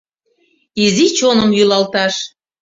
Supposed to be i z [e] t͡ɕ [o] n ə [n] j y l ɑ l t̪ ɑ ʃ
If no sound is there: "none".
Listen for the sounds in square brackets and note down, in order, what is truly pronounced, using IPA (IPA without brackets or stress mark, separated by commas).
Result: i, o, m